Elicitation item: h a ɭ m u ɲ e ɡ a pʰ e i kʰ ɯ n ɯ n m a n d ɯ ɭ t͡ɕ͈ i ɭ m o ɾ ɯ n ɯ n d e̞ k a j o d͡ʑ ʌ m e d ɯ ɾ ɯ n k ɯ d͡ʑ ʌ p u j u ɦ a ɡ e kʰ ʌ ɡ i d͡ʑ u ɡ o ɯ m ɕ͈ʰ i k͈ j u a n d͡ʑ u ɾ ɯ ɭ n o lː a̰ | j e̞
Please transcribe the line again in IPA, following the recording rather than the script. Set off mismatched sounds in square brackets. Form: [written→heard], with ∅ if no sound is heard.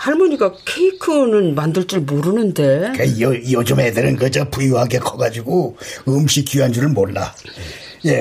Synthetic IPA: h a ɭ m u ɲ [e→i] ɡ a [pʰ→kʰ] e i kʰ ɯ n ɯ n m a n d ɯ ɭ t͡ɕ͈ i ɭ m o ɾ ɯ n ɯ n d e̞ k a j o d͡ʑ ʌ m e d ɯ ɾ ɯ n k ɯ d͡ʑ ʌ p u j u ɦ a ɡ e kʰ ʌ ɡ [i→a] d͡ʑ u ɡ o ɯ m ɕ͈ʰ i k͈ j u a n d͡ʑ u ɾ ɯ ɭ [n→m] o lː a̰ | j e̞